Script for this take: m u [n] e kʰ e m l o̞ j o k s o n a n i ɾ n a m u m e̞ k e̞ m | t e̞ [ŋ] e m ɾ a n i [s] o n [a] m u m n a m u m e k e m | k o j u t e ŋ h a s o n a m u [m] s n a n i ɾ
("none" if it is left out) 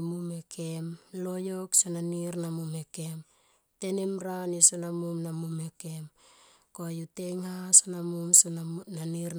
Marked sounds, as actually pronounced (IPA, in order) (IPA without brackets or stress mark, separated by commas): m, n, s, a, m